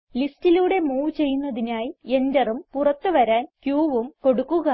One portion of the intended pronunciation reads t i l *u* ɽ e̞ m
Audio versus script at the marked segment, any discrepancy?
yes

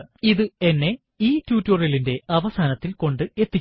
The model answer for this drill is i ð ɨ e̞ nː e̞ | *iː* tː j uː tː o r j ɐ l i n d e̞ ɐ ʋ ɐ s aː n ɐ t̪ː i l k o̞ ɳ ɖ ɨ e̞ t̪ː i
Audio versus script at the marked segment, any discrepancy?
no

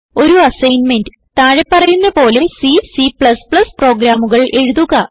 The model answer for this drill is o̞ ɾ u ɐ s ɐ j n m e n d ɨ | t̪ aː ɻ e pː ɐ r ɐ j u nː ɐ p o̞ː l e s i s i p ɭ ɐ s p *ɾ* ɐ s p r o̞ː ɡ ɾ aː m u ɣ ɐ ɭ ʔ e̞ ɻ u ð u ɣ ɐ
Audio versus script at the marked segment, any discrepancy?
yes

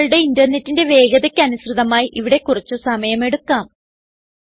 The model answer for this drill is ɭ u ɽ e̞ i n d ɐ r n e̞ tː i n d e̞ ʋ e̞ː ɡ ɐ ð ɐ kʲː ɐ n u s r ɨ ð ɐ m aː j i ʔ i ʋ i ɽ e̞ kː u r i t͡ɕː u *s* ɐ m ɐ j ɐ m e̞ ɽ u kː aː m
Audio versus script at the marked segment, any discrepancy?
no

